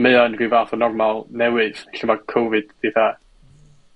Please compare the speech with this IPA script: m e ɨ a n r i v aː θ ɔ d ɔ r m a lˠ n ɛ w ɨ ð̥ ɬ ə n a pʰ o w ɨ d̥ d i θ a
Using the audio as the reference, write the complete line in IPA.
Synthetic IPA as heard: m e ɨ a n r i v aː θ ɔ n ɔ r m a lˠ n ɛ w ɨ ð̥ ɬ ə m a kʰ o v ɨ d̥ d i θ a